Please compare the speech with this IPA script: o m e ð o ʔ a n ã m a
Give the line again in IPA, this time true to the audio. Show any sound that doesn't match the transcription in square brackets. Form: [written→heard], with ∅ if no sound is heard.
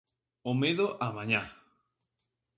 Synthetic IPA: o m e ð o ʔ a [n→m] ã [m→ɲ] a